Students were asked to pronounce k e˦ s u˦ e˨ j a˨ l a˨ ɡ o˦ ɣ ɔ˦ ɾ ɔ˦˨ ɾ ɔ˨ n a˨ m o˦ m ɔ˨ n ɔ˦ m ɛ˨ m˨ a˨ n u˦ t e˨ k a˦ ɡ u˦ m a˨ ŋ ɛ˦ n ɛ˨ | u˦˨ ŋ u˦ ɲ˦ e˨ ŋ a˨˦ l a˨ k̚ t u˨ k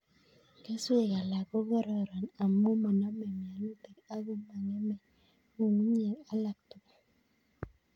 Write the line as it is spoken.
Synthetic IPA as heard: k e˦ s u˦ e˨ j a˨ l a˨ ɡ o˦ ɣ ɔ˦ ɾ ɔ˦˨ ɾ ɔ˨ n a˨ m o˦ m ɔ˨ n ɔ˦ m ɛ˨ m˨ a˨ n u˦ t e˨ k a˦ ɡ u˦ m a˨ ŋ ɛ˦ m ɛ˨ | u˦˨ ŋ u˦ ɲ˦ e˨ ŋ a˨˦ l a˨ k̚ t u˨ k

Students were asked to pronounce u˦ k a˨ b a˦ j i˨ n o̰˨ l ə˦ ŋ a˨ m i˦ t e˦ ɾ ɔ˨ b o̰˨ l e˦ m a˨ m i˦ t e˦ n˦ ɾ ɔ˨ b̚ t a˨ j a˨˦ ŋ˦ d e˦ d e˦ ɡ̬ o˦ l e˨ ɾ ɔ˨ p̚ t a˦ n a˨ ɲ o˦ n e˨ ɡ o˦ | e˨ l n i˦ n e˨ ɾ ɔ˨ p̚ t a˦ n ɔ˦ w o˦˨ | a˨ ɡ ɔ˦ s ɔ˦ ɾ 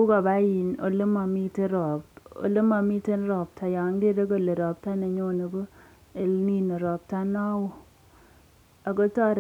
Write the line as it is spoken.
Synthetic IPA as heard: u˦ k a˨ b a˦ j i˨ n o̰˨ l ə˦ m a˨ m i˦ t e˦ ɾ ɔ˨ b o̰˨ l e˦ m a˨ m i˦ t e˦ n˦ ɾ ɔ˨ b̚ t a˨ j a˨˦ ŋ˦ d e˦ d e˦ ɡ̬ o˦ l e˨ ɾ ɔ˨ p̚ t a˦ n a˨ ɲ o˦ n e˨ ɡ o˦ | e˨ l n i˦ n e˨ ɾ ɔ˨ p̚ t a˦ n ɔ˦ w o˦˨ | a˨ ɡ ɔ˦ t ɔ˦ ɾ

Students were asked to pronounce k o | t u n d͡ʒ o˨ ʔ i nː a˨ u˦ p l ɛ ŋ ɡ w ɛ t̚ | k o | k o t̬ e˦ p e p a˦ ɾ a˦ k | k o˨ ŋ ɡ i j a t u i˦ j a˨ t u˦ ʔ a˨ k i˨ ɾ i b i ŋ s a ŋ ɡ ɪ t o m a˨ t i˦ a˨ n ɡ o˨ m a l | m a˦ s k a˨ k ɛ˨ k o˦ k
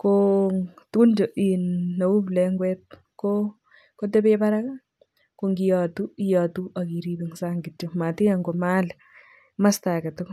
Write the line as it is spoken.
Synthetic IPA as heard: k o | t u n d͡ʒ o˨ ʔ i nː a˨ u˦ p l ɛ ŋ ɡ w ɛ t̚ | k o | k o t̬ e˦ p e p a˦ ɾ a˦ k | k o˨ ŋ ɡ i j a t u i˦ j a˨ t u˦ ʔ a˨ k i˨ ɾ i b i ŋ s a ŋ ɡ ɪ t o m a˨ t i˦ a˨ ŋ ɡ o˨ m a l | m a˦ s t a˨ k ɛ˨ t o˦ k

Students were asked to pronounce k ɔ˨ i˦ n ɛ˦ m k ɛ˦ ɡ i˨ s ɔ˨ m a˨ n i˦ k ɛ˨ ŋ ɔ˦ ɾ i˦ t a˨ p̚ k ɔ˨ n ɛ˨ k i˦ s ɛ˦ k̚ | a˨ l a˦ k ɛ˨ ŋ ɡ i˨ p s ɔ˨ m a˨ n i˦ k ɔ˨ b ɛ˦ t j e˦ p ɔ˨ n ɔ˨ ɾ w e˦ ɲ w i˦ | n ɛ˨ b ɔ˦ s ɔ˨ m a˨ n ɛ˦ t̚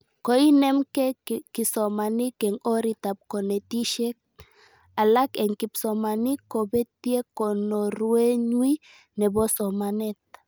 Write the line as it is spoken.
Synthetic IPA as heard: k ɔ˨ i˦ n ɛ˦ m k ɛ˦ k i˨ s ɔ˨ m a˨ n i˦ k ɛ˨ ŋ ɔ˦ ɾ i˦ t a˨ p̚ k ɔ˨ n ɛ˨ t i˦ ʃ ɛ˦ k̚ | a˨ l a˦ k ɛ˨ ŋ k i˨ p s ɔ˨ m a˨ n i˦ k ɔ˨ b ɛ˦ t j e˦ k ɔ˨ n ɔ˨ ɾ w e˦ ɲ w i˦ | n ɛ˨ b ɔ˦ s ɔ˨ m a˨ n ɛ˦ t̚

